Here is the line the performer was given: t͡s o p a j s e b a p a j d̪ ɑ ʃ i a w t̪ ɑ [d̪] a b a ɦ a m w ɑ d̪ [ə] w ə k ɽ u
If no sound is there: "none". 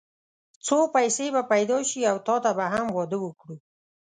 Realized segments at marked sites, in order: t̪, ə

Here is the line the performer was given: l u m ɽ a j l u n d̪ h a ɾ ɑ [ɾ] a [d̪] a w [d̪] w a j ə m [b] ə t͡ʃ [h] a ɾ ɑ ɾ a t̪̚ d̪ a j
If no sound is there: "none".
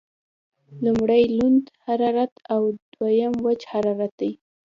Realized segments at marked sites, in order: ɾ, t̪, d̪, w, h

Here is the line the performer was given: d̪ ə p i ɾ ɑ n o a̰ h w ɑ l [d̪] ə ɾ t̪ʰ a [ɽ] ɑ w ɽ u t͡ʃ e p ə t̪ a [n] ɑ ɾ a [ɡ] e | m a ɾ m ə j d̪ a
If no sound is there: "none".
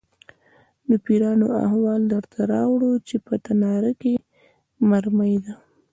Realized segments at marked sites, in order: d̪, ɾ, n, k

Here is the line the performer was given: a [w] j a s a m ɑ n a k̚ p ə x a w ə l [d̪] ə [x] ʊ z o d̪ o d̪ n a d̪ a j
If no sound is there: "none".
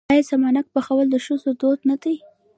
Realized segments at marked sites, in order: none, d̪, ʃ

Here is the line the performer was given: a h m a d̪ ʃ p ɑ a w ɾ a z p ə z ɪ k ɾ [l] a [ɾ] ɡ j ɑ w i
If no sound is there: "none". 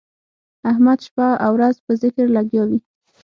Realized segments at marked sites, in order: l, none

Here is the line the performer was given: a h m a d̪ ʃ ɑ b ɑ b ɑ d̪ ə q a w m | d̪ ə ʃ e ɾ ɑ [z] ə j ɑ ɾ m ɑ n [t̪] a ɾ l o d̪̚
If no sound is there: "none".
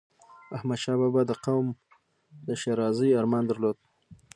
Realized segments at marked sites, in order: z, d̪

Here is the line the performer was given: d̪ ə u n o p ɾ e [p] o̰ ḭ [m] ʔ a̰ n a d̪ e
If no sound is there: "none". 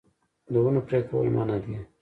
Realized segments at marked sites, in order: k, m

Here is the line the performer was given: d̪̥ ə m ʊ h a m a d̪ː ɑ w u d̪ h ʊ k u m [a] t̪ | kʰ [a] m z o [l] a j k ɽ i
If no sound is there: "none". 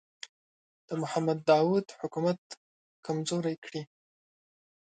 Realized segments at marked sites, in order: a, a, ɾ

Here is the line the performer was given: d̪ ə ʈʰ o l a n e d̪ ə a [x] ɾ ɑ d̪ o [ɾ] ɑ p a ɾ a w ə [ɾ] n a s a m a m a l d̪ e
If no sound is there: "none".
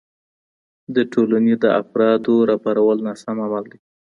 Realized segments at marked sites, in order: f, ɾ, l

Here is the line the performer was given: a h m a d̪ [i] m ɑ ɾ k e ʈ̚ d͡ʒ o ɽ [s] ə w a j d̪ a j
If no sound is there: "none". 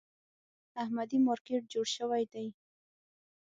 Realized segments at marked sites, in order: i, ʃ

